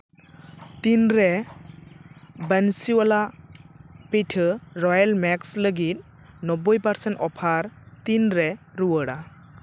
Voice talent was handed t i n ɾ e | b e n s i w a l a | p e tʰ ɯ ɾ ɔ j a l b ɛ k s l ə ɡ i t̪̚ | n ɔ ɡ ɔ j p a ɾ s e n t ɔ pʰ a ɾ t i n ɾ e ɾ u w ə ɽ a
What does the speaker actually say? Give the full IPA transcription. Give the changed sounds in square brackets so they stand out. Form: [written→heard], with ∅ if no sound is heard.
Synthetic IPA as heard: t i n ɾ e | b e n s i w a l a | p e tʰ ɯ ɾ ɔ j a l [b→m] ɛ k s l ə ɡ i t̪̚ | n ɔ [ɡ→b] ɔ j p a ɾ s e n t ɔ pʰ a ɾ t i n ɾ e ɾ u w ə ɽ a